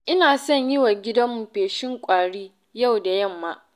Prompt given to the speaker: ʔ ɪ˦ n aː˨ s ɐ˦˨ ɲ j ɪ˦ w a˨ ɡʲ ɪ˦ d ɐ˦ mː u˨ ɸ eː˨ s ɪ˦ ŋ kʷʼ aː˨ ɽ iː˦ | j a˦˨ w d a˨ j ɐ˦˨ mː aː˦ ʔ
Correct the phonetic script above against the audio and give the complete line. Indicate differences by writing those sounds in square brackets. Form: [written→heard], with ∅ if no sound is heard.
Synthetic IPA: ʔ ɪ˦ n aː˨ s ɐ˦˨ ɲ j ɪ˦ w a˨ ɡʲ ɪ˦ d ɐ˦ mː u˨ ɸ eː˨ [s→ʃ] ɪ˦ ŋ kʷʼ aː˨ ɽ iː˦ | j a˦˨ w d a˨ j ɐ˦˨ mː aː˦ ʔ